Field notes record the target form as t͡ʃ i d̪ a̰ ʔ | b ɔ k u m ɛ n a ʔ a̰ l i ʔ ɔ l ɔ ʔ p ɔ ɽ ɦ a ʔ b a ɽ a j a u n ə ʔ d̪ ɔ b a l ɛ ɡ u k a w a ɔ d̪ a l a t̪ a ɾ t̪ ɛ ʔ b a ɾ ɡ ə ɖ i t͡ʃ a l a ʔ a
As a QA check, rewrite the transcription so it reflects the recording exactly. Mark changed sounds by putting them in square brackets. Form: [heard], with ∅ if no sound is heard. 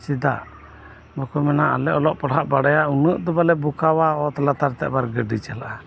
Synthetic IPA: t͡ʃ i d̪ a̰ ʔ | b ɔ k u m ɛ n a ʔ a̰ l [ɛ] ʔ ɔ l ɔ ʔ p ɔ ɽ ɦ a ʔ b a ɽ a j a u n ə ʔ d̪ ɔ b a l ɛ [b] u k a w a ɔ [t̪] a l a t̪ a ɾ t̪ ɛ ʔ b a ɾ ɡ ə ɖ i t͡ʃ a l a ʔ a

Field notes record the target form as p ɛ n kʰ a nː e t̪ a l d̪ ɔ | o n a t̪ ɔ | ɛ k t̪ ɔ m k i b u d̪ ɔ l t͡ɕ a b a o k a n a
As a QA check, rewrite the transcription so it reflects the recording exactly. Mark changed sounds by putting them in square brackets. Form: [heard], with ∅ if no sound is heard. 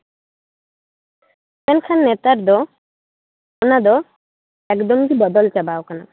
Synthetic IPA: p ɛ n kʰ a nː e t̪ a [ɾ] d̪ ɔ | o n a [d̪] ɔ | ɛ k [d̪] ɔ m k i b [ɔ] d̪ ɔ l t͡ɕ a b a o k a n a

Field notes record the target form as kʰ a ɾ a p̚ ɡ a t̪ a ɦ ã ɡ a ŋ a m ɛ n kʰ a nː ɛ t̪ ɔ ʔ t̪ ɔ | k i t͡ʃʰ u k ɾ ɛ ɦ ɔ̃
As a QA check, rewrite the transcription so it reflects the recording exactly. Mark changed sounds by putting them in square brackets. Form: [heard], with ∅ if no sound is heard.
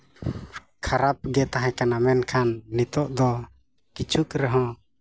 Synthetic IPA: kʰ a ɾ a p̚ ɡ [ɛ] t̪ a ɦ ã [k] a [n] a m ɛ n kʰ a nː [i] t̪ ɔ ʔ [d̪] ɔ | k i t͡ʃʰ u k ɾ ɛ ɦ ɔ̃

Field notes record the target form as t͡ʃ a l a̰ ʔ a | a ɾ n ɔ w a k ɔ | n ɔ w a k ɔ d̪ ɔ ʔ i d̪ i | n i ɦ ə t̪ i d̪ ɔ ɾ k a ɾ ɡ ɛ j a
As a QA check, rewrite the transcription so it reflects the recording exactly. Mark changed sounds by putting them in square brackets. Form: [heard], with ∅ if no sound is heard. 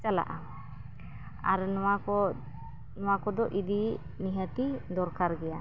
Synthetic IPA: t͡ʃ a l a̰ ʔ a | a ɾ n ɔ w a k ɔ | n ɔ w a k ɔ d̪ ɔ ʔ i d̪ i | n i ɦ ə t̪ i d̪ ɔ ɾ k a ɾ ɡ ɛ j a

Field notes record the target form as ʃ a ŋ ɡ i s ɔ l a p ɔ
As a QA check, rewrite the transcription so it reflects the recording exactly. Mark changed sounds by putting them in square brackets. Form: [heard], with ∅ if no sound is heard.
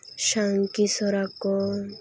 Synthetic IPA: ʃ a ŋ [k] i s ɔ [ɾ] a [k] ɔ

